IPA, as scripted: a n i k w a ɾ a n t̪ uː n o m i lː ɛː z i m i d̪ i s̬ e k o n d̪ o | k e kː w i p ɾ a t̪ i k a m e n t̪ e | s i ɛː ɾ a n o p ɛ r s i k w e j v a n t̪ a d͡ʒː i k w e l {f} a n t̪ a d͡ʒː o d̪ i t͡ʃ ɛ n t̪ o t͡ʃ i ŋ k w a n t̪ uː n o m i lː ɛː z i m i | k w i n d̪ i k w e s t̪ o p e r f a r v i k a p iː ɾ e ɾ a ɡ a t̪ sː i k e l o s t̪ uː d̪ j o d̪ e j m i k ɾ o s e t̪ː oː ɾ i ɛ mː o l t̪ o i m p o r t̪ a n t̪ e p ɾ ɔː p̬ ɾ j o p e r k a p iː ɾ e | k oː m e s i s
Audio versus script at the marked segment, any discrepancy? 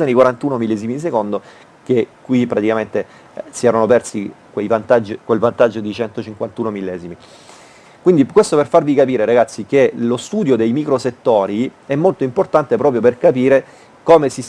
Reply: yes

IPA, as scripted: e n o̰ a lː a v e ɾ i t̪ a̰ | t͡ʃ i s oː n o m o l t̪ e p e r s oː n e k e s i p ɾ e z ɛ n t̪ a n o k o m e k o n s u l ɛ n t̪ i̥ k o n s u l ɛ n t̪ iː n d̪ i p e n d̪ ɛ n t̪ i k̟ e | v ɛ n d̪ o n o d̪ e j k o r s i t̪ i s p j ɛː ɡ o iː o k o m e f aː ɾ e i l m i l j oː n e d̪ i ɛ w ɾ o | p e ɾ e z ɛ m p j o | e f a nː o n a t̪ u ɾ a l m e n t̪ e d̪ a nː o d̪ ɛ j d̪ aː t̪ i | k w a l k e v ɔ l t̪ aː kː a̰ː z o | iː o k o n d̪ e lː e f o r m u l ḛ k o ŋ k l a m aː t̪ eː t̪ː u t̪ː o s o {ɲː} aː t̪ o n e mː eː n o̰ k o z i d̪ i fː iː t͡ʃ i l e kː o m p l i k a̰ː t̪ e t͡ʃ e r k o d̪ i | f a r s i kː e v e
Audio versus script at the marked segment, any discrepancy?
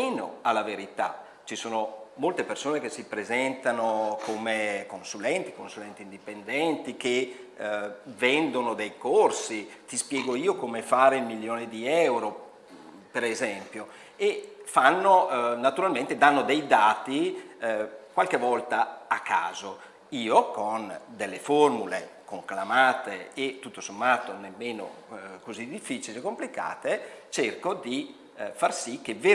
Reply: yes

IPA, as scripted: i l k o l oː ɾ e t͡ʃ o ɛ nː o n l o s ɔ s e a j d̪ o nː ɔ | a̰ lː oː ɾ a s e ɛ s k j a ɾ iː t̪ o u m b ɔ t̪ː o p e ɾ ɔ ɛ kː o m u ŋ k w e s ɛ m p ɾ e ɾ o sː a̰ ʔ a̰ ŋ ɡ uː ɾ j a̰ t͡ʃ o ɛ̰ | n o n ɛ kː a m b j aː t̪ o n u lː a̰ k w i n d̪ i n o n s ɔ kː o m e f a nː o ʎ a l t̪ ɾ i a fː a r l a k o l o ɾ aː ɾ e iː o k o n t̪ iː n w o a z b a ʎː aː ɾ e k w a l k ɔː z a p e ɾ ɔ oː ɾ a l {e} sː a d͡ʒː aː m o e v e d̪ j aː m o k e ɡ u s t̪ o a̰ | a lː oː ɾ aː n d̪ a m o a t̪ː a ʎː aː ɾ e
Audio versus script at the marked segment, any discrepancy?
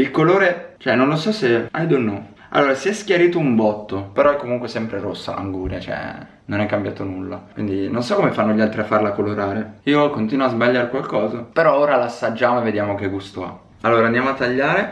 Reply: yes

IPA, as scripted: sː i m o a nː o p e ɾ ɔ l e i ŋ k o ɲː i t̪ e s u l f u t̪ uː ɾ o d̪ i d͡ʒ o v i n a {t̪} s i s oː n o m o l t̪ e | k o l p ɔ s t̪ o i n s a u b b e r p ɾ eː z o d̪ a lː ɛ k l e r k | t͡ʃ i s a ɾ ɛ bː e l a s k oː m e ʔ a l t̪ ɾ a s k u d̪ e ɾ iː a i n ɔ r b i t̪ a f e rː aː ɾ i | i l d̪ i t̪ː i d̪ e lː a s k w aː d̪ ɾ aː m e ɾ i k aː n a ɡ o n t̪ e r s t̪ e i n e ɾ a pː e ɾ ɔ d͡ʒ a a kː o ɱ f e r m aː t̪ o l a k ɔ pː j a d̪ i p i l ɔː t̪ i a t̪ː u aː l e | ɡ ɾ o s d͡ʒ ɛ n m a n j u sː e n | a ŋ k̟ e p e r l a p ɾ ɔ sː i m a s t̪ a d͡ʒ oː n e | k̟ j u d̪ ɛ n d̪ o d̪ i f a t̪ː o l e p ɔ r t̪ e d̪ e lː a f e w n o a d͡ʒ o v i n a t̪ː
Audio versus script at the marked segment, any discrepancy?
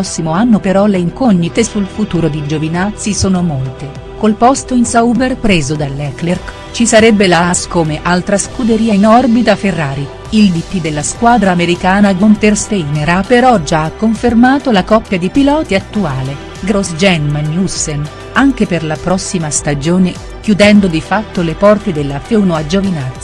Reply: no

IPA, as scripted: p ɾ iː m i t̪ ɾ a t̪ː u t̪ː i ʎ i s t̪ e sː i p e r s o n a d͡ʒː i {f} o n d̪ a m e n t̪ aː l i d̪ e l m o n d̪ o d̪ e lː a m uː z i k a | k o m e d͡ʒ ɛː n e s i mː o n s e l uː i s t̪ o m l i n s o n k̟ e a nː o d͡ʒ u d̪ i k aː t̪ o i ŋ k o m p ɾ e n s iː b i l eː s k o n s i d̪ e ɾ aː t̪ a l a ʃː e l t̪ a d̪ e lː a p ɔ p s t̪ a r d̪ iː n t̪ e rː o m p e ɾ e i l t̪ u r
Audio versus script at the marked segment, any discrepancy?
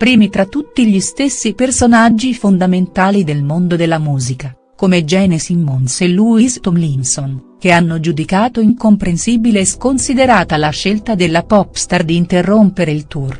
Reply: no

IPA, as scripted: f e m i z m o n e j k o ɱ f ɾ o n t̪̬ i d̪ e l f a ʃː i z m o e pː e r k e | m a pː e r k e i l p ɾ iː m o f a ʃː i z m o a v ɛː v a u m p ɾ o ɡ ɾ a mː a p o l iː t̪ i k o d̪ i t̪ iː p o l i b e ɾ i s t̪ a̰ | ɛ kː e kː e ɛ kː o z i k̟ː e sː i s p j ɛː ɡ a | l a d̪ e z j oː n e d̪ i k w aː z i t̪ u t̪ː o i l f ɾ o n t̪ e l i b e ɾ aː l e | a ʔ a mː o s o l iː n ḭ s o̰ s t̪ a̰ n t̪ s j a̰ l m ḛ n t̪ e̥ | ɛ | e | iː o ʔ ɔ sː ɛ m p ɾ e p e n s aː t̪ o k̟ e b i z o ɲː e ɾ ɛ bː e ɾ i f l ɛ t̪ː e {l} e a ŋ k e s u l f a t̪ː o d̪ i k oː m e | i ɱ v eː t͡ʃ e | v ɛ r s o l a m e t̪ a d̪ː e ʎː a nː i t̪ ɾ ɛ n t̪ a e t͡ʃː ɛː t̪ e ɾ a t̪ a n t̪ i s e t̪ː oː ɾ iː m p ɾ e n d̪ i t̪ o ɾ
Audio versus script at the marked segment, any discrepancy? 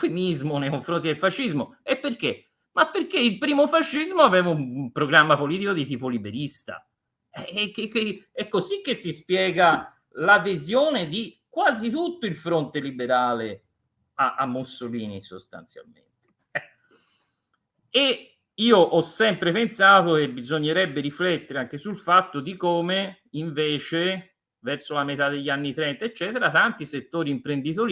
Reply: yes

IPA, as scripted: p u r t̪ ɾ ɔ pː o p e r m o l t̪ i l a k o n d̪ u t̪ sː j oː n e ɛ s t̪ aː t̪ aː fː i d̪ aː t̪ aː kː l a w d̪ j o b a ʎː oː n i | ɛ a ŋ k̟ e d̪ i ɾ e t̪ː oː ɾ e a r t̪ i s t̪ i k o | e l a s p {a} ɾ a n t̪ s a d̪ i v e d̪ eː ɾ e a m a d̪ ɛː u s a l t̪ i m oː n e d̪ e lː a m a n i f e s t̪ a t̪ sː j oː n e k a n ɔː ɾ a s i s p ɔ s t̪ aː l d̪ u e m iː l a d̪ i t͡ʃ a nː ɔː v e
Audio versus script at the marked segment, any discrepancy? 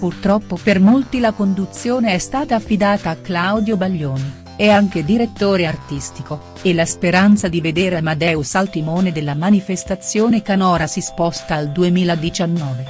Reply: yes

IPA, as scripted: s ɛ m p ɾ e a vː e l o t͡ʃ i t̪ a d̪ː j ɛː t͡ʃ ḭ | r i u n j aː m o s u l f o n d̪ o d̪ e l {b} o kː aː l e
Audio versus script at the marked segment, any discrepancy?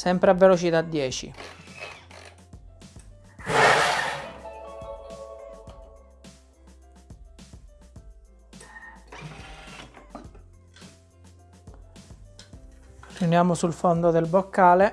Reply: no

